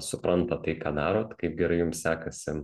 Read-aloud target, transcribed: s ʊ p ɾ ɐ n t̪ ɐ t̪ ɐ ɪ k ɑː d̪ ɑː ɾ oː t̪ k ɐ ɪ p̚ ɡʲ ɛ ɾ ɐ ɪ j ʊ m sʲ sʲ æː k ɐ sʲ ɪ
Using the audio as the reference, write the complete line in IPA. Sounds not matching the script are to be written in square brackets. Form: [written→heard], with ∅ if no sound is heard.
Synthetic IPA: s ʊ p ɾ ɐ n t̪ ɐ t̪ ɐ ɪ k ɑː d̪ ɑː ɾ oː t̪ k ɐ ɪ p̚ ɡʲ ɛ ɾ ɐ ɪ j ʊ m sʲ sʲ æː k ɐ sʲ ɪ